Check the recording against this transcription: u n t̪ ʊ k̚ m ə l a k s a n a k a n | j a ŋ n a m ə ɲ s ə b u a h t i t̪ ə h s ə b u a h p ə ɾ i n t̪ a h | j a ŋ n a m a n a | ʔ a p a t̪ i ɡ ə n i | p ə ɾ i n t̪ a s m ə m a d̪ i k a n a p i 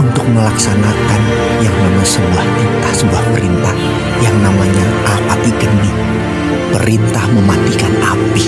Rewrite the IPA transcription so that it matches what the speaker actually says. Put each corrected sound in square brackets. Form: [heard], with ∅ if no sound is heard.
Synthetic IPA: u n t̪ ʊ k̚ m ə l a k s a n a k a n | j a ŋ n a m [a] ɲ s ə b u a h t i t̪ [a] h s ə b u a h p ə ɾ i n t̪ a h | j a ŋ n a m a [ɲ] a | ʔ a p a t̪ i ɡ ə n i | p ə ɾ i n t̪ a [h] m ə m a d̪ i k a n a p i